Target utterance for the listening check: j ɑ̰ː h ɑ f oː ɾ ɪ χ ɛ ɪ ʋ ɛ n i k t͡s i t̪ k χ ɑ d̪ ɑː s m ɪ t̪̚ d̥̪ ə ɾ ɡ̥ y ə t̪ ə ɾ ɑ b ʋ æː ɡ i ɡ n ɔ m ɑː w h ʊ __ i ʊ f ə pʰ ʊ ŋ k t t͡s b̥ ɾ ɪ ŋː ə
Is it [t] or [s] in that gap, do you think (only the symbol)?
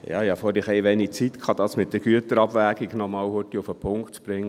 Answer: t